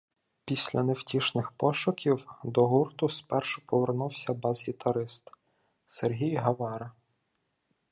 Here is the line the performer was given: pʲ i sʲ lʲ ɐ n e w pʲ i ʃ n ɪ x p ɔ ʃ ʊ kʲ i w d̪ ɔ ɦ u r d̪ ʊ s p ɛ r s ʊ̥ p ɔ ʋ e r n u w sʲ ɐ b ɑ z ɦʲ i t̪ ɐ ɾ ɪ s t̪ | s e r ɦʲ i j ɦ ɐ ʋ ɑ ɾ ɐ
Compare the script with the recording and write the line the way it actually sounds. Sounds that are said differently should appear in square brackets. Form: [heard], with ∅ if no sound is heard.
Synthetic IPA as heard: pʲ i sʲ lʲ ɐ n e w [tʲ] i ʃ n ɪ x p ɔ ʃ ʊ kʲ i w d̪ ɔ ɦ u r [t̪] ʊ s p ɛ r [ʃ] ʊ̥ p ɔ ʋ e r n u w sʲ ɐ b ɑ z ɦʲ i t̪ ɐ ɾ ɪ s t̪ | s e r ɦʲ i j ɦ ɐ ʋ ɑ ɾ ɐ

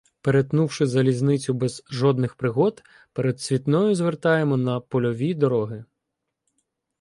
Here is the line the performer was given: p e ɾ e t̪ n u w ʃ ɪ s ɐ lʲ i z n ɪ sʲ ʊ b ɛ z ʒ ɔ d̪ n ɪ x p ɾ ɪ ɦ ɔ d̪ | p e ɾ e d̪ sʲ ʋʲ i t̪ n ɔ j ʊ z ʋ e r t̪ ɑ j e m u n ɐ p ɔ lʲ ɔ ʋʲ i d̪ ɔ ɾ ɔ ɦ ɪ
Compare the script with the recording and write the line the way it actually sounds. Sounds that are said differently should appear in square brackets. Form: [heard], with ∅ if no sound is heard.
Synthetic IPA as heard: p e ɾ e t̪ n u w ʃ ɪ [z] ɐ lʲ i z n ɪ [t͡sʲ] ʊ b ɛ z ʒ ɔ d̪ n ɪ x p ɾ ɪ ɦ ɔ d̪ | p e ɾ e d̪ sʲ ʋʲ i t̪ n ɔ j ʊ z ʋ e r t̪ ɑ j e m [ɔ] n ɐ p ɔ lʲ ɔ ʋʲ i d̪ ɔ ɾ ɔ ɦ ɪ

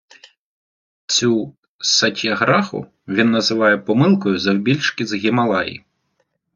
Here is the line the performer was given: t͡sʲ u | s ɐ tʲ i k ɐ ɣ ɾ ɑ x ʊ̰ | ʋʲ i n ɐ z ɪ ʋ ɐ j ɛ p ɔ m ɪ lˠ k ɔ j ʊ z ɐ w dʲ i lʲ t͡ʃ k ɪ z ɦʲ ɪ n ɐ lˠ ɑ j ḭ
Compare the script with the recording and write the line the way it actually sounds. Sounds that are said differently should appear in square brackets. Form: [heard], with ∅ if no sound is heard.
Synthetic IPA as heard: t͡sʲ u | s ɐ tʲ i [∅] ɐ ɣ ɾ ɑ x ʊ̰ | ʋʲ i [nː] ɐ z ɪ ʋ [ɑ] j ɛ p ɔ m ɪ lˠ k ɔ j ʊ z ɐ w [bʲ] i lʲ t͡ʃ k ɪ z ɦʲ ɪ [m] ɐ lˠ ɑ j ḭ

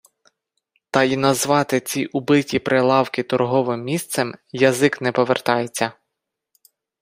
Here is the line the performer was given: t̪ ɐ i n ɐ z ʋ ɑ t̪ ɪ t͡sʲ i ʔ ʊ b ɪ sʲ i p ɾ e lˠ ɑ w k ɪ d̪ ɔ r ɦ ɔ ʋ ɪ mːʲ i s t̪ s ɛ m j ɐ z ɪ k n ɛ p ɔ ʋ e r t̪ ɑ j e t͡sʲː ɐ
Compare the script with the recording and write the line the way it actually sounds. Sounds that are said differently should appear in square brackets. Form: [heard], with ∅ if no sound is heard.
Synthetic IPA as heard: t̪ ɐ i n ɐ z ʋ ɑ t̪ ɪ t͡sʲ i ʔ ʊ b ɪ [tʲ] i p ɾ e lˠ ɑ w k ɪ [t̪] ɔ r ɦ ɔ ʋ ɪ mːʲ i s t̪ s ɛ m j ɐ z ɪ k n ɛ p ɔ ʋ e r t̪ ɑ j e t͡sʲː ɐ

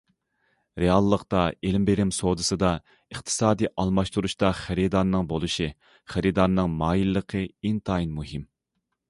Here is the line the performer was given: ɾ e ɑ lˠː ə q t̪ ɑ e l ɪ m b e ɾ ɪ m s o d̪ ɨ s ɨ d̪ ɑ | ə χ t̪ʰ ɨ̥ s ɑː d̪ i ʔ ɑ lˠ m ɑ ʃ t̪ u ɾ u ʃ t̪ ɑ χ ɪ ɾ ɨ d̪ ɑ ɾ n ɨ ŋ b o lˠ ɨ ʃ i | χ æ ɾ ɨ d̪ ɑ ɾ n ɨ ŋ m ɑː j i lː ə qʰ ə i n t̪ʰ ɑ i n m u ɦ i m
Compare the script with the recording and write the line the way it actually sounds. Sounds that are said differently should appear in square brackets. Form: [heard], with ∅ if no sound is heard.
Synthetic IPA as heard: ɾ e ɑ lˠː ə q t̪ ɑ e l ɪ m b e ɾ ɪ m s o d̪ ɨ s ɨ d̪ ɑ | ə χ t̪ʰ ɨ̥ s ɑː d̪ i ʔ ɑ lˠ m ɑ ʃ t̪ u ɾ u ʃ t̪ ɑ χ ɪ ɾ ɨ d̪ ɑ ɾ n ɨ ŋ b o lˠ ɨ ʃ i | χ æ ɾ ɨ d̪ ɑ ɾ n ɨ ŋ m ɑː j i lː ə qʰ ə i n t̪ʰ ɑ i n m u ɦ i m

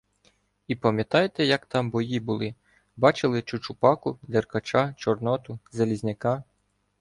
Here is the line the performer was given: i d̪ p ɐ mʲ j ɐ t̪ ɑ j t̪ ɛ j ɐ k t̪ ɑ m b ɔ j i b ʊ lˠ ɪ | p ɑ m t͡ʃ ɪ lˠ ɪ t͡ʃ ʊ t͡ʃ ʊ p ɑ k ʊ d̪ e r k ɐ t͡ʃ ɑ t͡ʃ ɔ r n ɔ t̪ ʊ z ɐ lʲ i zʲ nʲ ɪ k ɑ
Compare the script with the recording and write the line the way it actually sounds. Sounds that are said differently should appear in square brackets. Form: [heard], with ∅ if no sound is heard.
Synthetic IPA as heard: i [∅] p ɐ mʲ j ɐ t̪ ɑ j t̪ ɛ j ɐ k t̪ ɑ m b ɔ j i b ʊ lˠ ɪ | [b] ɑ [∅] t͡ʃ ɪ lˠ ɪ t͡ʃ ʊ t͡ʃ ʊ p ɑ k ʊ d̪ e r k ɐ t͡ʃ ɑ t͡ʃ ɔ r n ɔ t̪ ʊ z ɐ lʲ i zʲ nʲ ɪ k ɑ

